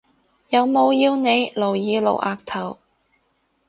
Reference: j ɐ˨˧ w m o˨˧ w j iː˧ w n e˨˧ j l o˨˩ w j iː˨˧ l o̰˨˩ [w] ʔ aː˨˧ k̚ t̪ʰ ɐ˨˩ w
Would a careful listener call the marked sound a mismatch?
no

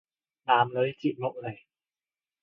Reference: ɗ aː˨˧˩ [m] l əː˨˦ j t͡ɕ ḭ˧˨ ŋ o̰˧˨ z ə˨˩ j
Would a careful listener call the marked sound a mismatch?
no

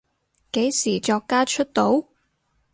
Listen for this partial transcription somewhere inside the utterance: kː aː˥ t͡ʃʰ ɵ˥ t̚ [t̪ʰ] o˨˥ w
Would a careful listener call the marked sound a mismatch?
yes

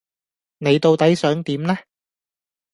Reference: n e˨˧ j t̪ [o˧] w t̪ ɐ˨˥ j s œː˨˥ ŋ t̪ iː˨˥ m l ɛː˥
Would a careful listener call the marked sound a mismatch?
no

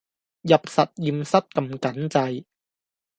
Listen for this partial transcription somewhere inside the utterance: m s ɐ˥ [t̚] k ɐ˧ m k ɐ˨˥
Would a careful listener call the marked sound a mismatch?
no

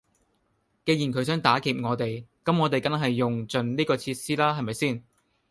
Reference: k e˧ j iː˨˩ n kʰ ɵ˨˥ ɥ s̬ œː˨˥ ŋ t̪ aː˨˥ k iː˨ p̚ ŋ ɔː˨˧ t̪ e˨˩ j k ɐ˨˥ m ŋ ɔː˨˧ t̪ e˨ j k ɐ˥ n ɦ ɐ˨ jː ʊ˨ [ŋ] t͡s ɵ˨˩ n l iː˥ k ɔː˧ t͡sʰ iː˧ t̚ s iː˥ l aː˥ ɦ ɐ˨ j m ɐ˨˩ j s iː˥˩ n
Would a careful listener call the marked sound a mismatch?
no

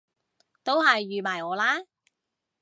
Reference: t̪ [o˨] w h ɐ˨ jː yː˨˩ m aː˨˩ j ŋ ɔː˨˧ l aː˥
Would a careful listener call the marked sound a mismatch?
yes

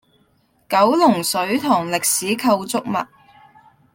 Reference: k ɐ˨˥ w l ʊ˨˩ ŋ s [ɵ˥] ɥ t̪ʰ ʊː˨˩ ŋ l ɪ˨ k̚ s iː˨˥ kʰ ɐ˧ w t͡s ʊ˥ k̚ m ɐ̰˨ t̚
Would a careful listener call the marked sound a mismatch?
yes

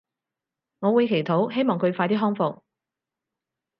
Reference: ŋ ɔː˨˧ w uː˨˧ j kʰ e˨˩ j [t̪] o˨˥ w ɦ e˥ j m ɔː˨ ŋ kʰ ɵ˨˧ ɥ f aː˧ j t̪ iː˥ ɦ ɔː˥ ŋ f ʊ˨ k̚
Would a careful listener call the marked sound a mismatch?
yes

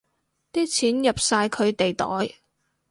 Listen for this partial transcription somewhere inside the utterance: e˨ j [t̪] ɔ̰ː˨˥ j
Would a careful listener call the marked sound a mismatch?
no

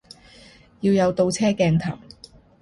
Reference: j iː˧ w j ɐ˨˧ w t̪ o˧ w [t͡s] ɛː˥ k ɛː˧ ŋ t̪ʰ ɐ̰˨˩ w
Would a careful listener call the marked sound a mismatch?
yes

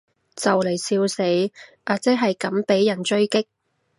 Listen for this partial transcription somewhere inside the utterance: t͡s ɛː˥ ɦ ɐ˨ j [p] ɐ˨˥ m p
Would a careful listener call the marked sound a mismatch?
yes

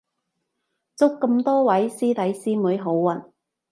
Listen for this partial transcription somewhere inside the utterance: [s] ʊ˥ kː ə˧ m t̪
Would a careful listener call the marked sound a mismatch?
yes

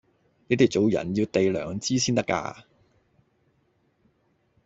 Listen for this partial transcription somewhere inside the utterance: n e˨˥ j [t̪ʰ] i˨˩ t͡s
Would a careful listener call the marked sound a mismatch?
yes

